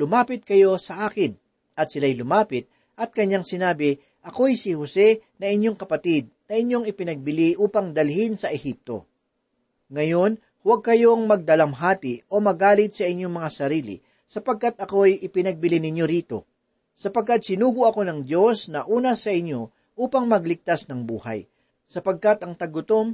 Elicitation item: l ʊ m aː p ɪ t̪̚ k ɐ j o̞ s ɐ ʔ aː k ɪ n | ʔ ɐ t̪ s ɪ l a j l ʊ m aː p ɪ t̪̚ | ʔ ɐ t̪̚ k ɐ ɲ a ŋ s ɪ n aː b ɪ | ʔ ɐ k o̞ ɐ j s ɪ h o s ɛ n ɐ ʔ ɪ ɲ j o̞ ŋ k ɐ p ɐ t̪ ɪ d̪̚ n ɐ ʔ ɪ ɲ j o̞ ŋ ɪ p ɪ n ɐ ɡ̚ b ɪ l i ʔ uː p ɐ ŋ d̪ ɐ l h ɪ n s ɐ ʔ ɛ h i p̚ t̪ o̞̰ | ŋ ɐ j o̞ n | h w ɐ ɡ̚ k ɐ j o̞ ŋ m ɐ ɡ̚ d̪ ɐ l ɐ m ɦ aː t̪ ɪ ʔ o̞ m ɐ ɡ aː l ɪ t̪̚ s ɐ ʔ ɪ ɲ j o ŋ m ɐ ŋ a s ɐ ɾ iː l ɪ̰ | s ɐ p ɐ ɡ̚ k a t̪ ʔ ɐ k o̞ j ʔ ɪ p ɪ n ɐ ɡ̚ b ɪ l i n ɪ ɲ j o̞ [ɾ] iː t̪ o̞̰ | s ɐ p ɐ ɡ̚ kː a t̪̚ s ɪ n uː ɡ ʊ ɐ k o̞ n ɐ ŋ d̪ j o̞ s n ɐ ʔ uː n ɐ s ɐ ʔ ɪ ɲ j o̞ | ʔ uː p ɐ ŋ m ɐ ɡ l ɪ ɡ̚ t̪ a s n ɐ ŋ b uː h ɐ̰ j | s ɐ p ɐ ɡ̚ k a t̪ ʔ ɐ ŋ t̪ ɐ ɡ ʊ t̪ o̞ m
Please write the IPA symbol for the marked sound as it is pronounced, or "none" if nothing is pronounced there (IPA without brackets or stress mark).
ɾ